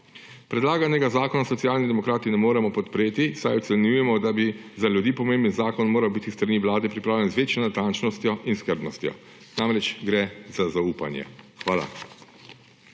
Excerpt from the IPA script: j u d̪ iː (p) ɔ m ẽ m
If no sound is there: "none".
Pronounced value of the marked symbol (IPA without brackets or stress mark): p